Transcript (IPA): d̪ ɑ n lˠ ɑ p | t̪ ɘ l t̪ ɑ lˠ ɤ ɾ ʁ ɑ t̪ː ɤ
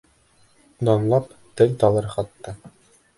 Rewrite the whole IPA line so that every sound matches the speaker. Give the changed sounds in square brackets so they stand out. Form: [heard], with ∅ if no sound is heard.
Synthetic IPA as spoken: d̪ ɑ n lˠ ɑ p | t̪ ɘ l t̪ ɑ lˠ ɤ ɾ [χ] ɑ t̪ː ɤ